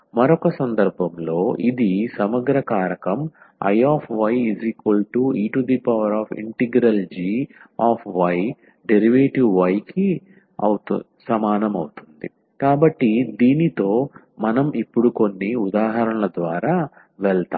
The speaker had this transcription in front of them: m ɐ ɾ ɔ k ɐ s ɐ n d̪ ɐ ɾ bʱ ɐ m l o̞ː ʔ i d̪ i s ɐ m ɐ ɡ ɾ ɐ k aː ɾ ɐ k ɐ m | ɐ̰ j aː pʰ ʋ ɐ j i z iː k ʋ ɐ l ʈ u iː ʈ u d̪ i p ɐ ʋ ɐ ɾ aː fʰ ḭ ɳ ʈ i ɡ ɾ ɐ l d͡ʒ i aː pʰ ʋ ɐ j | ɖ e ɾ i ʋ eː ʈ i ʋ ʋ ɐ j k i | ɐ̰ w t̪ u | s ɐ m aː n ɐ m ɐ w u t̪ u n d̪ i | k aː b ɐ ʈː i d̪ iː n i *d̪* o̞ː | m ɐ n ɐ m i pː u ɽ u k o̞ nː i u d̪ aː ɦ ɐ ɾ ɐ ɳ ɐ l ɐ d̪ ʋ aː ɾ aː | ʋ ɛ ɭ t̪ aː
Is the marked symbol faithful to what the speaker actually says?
no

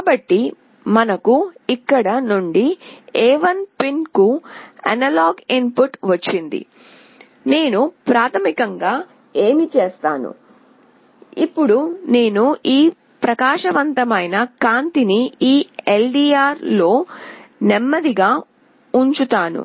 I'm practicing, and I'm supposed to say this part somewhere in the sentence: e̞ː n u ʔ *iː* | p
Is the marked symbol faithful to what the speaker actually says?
yes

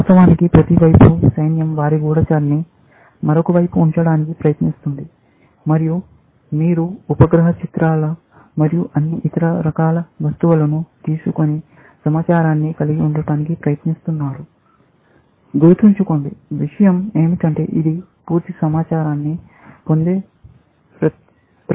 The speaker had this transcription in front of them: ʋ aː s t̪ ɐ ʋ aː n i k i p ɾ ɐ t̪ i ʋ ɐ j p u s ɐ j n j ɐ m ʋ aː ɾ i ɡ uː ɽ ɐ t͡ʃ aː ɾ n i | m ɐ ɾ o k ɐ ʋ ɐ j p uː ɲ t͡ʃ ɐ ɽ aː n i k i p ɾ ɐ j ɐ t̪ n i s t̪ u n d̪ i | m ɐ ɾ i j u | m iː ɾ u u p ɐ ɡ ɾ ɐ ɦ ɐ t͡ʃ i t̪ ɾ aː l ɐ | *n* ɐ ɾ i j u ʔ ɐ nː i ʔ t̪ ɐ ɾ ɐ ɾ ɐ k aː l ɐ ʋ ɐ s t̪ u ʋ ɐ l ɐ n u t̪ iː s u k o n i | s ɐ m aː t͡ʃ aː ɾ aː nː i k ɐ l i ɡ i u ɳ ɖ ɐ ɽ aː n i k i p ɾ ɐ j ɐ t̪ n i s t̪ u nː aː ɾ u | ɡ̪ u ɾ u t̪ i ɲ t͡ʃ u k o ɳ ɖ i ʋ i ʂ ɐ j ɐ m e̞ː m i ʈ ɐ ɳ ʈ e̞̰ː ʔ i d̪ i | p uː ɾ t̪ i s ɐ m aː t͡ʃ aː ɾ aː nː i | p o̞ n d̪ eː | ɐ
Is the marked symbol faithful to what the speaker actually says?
no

